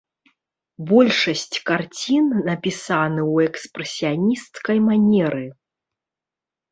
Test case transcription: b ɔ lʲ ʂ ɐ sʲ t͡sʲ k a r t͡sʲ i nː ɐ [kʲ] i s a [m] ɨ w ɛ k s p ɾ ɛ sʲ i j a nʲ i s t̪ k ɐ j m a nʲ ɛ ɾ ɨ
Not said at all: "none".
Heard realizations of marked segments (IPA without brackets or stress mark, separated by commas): pʲ, n